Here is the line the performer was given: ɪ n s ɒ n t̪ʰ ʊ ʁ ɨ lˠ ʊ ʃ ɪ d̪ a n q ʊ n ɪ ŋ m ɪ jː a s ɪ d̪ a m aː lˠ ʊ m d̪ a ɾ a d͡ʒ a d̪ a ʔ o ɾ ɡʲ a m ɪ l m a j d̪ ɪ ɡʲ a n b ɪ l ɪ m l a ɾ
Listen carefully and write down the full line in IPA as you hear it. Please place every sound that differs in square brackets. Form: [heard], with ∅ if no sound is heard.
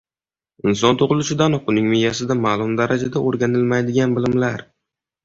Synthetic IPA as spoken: ɪ n s ɒ n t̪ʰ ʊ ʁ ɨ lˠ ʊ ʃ ɪ d̪ a n q ʊ n ɪ ŋ m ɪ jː a s ɪ d̪ a m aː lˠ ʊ m d̪ a ɾ a d͡ʒ a d̪ a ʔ o ɾ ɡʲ a [n] ɪ l m a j d̪ ɪ ɡʲ a n b ɪ l ɪ m l a ɾ